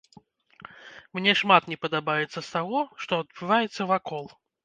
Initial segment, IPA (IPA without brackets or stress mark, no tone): m